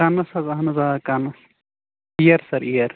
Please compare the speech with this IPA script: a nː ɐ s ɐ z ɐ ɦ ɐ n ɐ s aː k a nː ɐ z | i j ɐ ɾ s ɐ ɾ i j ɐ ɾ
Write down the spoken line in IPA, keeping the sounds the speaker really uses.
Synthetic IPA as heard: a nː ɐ s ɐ z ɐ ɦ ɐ n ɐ z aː k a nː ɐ s | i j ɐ ɾ s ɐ ɾ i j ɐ ɾ